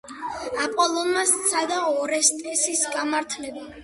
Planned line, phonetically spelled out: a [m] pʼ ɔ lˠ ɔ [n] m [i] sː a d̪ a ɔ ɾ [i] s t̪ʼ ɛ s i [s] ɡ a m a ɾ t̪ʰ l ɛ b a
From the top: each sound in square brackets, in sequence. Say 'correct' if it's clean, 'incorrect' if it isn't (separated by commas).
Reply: incorrect, correct, incorrect, incorrect, correct